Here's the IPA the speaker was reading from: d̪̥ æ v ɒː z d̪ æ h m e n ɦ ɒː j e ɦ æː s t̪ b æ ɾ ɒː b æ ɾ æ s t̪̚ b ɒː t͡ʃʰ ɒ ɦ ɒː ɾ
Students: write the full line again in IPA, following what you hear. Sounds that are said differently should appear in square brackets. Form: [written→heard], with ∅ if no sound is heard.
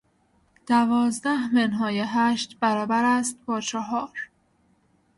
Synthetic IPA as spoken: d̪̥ æ v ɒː z d̪ æ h m e n ɦ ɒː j e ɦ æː [s→ʃ] t̪ b æ ɾ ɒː b æ ɾ æ s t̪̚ b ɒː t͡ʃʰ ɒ ɦ ɒː ɾ